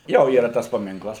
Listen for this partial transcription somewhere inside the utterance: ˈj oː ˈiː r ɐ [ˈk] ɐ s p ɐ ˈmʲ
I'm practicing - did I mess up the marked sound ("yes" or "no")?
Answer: yes